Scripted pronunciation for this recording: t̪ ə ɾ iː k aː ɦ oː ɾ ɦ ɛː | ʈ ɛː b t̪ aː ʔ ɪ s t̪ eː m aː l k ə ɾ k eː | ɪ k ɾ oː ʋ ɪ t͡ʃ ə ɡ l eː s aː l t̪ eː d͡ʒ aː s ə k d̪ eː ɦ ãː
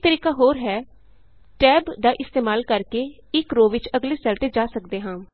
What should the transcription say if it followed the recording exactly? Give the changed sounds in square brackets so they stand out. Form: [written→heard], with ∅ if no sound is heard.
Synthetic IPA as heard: t̪ ə ɾ iː k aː ɦ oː ɾ ɦ ɛː | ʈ ɛː b [t̪→d̪] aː ʔ ɪ s t̪ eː m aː l k ə ɾ k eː | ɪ k ɾ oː ʋ ɪ t͡ʃ ə ɡ l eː s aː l t̪ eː d͡ʒ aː s ə k d̪ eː ɦ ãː